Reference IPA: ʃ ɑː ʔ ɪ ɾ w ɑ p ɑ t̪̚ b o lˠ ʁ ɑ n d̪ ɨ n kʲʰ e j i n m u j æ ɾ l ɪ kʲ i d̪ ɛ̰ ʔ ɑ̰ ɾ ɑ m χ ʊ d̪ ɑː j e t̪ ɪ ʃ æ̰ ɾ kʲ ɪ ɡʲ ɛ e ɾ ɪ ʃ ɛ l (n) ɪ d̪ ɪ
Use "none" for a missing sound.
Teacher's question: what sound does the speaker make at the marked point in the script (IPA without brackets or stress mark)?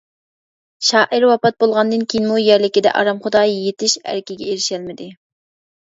m